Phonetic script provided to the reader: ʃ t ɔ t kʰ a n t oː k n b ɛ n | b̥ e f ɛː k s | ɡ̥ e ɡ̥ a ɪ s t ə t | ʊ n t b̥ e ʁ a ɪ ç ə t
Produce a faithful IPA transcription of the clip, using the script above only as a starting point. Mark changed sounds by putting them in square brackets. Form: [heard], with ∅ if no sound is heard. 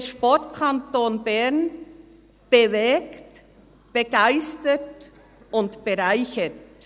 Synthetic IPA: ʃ [p] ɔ t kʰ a n t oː [∅] n b ɛ n | b̥ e [v] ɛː k [t] | [b̥] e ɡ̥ a ɪ s t ə t | ʊ n t b̥ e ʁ a ɪ ç ə t